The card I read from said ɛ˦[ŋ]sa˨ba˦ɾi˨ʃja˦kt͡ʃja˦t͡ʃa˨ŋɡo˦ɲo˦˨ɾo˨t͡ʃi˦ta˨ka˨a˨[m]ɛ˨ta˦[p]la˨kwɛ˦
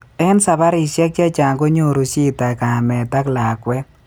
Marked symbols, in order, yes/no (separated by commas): no, yes, no